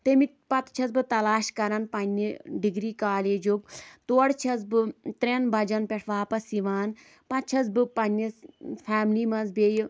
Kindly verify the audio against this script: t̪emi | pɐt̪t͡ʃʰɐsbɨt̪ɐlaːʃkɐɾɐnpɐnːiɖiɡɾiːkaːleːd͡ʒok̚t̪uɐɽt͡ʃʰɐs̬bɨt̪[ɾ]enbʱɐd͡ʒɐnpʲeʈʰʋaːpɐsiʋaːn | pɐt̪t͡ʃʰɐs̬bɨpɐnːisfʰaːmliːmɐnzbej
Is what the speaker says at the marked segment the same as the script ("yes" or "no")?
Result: yes